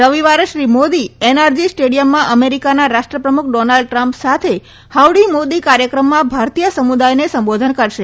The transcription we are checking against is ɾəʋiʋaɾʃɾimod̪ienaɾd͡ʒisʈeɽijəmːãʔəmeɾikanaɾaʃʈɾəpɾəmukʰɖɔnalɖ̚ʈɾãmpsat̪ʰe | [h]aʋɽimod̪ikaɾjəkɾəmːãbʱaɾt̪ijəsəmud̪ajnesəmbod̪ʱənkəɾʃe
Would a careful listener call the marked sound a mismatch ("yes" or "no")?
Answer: no